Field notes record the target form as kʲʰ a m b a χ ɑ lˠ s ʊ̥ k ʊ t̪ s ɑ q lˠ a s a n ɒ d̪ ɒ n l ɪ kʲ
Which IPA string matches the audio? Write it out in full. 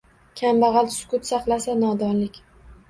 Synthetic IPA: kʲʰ a m b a ʁ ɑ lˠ s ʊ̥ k ʊ t̪ s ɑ q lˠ a s a n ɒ d̪ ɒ n l ɪ kʲ

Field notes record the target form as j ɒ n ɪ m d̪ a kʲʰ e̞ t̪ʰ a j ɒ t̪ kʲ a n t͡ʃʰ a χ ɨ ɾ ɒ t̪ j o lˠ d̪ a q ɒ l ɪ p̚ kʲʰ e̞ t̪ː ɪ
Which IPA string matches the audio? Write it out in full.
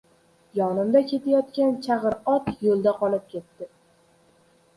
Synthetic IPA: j ɒ n ɪ m d̪ a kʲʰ e̞ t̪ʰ a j ɒ t̪ kʲ a n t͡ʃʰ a ʁ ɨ ɾ ɒ t̪ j o lˠ d̪ a q ɒ l ɪ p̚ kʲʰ e̞ t̪ː ɪ

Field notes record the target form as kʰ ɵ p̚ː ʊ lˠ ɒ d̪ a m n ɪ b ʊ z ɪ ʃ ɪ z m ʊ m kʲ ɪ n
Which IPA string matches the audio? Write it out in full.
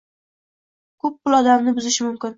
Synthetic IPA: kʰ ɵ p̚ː ʊ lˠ ɒ d̪ a m n ɪ b ʊ z ɪ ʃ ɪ m ʊ m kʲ ɪ n

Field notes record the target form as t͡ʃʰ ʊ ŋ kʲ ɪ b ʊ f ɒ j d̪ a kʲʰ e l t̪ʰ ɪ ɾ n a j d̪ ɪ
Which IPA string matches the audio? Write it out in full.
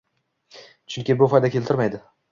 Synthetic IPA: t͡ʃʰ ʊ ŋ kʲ ɪ b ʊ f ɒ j d̪ a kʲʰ e l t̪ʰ ɪ ɾ m a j d̪ ɪ

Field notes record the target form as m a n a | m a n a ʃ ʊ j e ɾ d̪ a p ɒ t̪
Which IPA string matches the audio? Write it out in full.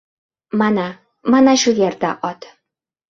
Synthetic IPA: m a n a | m a n a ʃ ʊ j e ɾ d̪ a ʔ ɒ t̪

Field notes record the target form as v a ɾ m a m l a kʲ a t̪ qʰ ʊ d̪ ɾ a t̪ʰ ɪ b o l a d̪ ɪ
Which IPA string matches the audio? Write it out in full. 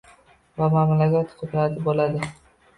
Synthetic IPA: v a m a m l a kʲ a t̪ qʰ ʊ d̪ ɾ a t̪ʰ ɪ b o l a d̪ ɪ

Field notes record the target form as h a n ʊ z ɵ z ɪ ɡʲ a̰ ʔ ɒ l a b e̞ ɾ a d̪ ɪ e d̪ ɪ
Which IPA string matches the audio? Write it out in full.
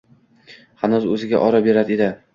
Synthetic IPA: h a n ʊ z ɵ z ɪ ɡʲ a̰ ʔ ɒ ɾ a b e̞ ɾ a d̪ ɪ e d̪ ɪ

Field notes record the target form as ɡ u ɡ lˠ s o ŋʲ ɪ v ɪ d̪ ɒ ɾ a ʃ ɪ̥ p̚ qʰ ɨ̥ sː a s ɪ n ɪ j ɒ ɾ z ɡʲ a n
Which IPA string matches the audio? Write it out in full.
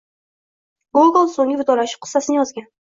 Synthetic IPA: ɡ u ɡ lˠ s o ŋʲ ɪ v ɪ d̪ ɒ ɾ a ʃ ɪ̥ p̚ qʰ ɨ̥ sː a s ɪ n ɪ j ɒ z ɡʲ a n

